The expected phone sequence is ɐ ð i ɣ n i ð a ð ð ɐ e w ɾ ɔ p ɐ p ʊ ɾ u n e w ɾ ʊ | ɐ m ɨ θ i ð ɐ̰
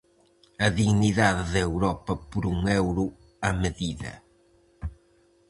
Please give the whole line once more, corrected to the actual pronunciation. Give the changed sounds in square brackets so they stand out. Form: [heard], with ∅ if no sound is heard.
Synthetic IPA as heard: ɐ ð i ɣ n i ð a ð ð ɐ e w ɾ ɔ p ɐ p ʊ ɾ u [ŋ] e w ɾ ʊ | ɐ m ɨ [ð] i ð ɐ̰